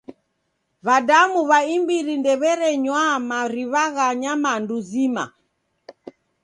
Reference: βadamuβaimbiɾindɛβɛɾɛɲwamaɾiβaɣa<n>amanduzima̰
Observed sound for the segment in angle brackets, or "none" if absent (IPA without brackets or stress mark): ɲ